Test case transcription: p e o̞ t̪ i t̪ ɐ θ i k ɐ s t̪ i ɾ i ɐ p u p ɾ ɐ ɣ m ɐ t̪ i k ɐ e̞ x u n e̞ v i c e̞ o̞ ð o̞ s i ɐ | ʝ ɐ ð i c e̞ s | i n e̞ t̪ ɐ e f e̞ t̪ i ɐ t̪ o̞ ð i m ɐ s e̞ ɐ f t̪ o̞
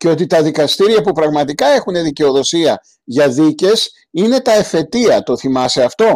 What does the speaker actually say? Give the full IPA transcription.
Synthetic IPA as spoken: c e o̞ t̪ i t̪ ɐ ð i k ɐ s t̪ i ɾ i ɐ p u p ɾ ɐ ɣ m ɐ t̪ i k ɐ e̞ x u n e̞ ð i c e̞ o̞ ð o̞ s i ɐ | ʝ ɐ ð i c e̞ s | i n e̞ t̪ ɐ e f e̞ t̪ i ɐ t̪ o̞ θ i m ɐ s e̞ ɐ f t̪ o̞